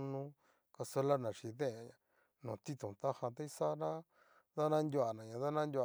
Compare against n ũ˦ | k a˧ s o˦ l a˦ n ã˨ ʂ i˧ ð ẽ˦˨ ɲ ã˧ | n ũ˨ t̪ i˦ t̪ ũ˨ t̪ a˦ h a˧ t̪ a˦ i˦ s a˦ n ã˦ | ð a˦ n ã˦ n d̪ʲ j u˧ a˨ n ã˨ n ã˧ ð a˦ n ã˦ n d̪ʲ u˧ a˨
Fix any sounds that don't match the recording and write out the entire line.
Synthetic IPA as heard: n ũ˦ | k a˧ s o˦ l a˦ n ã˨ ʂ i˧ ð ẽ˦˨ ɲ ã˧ | n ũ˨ t̪ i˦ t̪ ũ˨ t̪ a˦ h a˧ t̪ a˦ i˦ s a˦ n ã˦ | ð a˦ n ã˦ n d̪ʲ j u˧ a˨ n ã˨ ɲ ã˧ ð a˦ n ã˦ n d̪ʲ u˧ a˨